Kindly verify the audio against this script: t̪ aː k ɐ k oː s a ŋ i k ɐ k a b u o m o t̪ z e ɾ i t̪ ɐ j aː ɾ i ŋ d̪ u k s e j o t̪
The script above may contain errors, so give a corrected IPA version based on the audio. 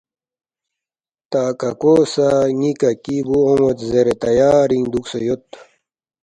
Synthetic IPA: t̪ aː k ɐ k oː s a ŋ i k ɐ k i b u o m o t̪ z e ɾ e t̪ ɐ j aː ɾ i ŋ d̪ u k s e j o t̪

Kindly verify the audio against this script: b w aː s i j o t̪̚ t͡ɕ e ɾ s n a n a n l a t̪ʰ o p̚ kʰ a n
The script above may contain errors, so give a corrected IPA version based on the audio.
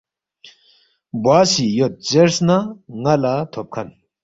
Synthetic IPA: b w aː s i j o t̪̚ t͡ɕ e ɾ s n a ŋ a l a t̪ʰ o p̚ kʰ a n

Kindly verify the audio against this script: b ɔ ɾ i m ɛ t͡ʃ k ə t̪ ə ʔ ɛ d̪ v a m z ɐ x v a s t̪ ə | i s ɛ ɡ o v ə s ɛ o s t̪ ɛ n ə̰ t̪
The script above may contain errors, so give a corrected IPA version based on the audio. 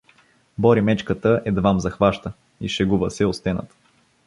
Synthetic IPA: b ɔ ɾ i m ɛ t͡ʃ k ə t̪ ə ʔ ɛ d̪ v a m z ɐ x v a ʃ t̪ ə | i ʃ ɛ ɡ u v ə s ɛ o s t̪ ɛ n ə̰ t̪

